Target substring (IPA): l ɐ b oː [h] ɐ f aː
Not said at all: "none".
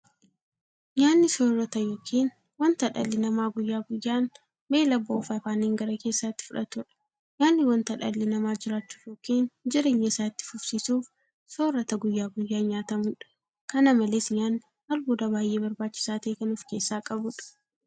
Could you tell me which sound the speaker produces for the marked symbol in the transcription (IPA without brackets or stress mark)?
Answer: f